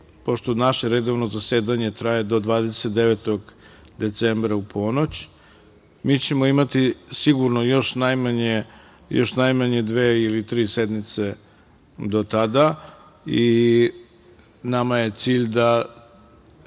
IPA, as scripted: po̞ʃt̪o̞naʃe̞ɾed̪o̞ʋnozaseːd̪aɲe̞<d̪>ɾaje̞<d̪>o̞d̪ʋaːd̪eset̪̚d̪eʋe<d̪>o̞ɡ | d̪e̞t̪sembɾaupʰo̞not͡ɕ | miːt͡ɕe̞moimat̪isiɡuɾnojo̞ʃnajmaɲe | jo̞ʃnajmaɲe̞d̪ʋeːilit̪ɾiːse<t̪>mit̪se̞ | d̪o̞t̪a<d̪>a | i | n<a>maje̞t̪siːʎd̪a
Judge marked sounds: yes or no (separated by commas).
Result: no, yes, no, no, yes, yes